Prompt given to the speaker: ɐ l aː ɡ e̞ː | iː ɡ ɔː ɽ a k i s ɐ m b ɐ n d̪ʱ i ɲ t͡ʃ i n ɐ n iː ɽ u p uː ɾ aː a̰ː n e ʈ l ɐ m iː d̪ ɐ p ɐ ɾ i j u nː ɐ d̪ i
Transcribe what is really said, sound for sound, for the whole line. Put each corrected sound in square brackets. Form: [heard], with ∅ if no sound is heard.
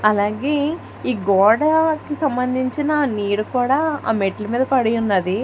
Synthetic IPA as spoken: ɐ l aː ɡ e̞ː | iː ɡ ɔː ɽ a k i s ɐ m b ɐ n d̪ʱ i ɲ t͡ʃ i n ɐ n iː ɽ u [k] uː [ɽ] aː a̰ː [m] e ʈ l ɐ m iː d̪ ɐ p ɐ [ɽ] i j u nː ɐ d̪ i